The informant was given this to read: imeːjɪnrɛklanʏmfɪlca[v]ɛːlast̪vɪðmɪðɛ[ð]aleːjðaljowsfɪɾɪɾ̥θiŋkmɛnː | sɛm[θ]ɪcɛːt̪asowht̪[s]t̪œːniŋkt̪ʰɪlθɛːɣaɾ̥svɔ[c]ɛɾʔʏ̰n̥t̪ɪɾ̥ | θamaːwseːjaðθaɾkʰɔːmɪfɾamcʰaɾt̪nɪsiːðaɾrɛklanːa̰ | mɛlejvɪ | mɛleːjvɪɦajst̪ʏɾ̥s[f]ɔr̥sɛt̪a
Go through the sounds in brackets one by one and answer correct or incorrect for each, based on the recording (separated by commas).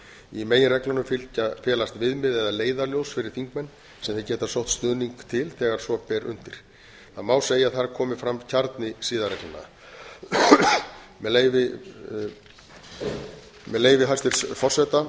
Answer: incorrect, correct, correct, correct, incorrect, correct